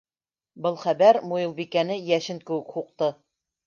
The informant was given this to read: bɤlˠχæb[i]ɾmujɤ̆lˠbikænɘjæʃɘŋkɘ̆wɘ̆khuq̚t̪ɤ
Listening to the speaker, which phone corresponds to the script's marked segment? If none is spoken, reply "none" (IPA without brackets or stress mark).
æ